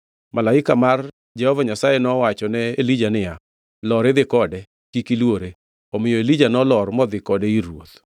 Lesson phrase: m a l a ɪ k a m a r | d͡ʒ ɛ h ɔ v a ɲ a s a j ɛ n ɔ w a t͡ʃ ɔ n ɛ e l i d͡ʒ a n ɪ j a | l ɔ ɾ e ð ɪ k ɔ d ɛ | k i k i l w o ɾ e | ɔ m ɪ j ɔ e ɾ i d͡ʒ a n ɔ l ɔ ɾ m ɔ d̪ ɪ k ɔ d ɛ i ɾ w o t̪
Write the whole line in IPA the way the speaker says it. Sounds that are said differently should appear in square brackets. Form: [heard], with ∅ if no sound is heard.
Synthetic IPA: m a l a ɪ k a m a r | d͡ʒ ɛ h ɔ v a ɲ a s a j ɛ n ɔ w a t͡ʃ ɔ n ɛ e l i d͡ʒ a n ɪ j a | l ɔ ɾ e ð ɪ k ɔ d ɛ | k i k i l w o ɾ e | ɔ m ɪ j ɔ e [l] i d͡ʒ a n ɔ l ɔ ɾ m ɔ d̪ ɪ k ɔ d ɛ i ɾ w o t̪